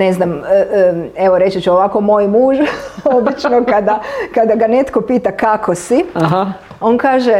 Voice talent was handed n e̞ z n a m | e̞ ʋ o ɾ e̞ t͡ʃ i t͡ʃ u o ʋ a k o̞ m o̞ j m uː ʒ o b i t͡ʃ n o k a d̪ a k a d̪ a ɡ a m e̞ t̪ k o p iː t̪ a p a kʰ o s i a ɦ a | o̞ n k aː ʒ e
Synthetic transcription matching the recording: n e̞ z n a m | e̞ ʋ o ɾ e̞ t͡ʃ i t͡ʃ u o ʋ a k o̞ m o̞ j m uː ʒ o b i t͡ʃ n o k a d̪ a k a d̪ a ɡ a n e̞ t̪ k o p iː t̪ a k a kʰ o s i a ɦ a | o̞ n k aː ʒ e